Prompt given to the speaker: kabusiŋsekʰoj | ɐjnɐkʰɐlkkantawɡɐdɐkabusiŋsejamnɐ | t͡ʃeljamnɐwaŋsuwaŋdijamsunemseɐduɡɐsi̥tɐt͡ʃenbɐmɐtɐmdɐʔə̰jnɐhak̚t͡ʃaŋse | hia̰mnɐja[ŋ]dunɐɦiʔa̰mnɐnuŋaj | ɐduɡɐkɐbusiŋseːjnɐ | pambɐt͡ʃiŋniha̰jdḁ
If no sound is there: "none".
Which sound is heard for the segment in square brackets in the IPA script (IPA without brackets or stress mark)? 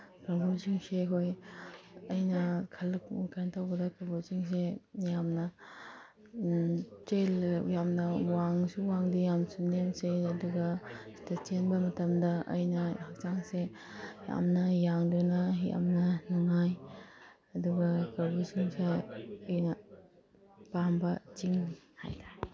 ŋ